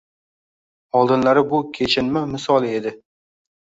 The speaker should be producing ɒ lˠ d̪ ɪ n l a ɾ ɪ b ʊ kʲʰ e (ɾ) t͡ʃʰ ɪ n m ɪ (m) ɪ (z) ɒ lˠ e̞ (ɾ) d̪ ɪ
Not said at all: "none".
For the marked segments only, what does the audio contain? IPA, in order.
none, m, s, none

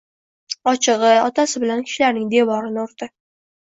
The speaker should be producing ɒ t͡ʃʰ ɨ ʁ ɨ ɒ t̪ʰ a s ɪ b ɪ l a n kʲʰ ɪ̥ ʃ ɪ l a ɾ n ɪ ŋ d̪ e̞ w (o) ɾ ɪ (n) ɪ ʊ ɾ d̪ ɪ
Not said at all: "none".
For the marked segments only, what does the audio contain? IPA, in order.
ɒ, n

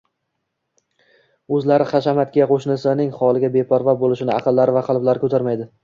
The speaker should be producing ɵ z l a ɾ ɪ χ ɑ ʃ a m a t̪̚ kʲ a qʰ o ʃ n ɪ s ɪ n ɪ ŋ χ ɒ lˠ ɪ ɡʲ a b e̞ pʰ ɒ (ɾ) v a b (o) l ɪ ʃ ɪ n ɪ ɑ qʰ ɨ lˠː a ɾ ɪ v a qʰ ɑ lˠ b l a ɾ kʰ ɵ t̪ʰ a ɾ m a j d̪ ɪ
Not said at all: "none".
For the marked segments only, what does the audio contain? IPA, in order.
ɾ, o

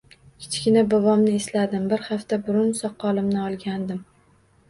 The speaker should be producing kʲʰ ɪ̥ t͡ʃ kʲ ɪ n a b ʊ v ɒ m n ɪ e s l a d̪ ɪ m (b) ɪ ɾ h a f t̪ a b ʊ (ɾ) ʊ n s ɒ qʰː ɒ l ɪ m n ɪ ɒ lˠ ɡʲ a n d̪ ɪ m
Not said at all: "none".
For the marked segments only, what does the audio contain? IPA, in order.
b, ɾ

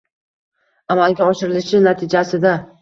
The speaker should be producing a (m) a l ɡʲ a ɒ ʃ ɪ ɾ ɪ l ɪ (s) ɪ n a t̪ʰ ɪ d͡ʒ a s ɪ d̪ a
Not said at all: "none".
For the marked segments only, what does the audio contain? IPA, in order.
m, ʃ

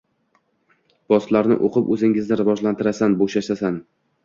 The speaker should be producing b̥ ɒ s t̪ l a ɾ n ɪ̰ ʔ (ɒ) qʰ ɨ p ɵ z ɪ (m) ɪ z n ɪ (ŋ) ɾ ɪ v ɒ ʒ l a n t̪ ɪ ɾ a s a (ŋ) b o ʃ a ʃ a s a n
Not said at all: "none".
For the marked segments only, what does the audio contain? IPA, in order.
o, ŋ, none, n

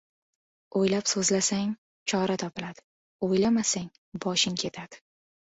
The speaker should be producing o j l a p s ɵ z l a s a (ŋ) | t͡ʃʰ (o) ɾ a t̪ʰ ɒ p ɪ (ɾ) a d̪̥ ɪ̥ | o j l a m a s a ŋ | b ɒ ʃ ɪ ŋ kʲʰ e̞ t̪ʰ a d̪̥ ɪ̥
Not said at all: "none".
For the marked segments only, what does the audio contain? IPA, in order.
ŋ, ɒ, l

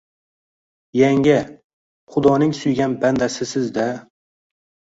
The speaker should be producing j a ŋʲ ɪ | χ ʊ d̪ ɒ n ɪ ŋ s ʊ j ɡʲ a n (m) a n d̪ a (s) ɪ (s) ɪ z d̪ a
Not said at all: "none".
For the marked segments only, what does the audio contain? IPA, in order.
b, s, s

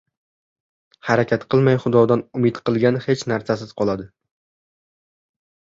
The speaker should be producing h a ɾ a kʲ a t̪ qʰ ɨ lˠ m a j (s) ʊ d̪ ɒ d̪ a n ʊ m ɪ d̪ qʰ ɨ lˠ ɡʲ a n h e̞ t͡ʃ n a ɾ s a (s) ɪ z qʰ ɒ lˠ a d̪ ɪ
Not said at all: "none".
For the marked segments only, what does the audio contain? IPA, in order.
χ, s

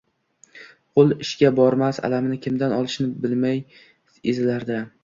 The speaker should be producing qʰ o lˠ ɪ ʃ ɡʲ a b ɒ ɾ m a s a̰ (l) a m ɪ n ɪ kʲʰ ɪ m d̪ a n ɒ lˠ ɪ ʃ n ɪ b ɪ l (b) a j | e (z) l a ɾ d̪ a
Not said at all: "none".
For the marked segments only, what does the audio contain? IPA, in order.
l, m, z

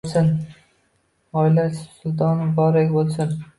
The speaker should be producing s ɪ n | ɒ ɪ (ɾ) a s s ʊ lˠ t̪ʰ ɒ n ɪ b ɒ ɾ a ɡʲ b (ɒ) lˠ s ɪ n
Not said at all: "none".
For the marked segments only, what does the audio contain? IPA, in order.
l, o

